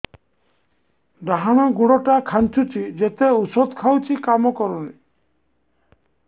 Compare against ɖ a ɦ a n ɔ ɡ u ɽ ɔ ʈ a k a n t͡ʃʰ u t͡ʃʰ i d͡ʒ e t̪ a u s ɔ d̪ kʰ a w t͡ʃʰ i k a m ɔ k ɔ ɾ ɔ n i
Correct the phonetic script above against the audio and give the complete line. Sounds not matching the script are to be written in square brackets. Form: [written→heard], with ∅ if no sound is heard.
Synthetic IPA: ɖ a ɦ a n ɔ ɡ u ɽ ɔ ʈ a [k→kʰ] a n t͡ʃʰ u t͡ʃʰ i d͡ʒ e t̪ [a→e] u s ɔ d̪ kʰ a w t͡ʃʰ i k a m ɔ k ɔ ɾ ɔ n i